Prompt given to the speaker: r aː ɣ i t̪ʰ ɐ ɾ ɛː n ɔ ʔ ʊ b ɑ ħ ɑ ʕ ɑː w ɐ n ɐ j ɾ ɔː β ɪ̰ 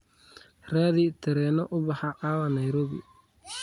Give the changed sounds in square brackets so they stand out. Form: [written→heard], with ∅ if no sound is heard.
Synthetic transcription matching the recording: r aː [ɣ→ð] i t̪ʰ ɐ ɾ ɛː n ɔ ʔ ʊ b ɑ ħ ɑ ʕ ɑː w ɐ n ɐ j ɾ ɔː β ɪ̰